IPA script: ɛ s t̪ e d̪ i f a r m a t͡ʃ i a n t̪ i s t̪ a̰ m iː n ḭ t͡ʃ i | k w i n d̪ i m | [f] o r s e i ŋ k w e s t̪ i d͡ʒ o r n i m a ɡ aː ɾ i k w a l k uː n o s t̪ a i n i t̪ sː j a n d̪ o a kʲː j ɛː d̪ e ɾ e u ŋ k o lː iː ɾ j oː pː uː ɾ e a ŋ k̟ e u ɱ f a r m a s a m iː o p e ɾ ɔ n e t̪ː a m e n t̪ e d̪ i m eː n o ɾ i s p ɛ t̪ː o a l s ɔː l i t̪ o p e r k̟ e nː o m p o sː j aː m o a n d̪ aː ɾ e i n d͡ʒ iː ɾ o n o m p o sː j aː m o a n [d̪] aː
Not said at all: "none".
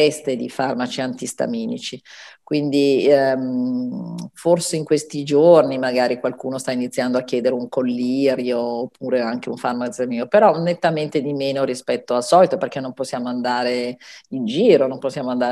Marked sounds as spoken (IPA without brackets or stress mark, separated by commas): f, d̪